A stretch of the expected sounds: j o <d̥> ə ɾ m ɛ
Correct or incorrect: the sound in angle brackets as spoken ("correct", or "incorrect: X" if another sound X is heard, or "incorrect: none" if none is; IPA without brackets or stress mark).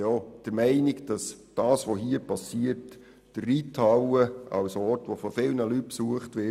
correct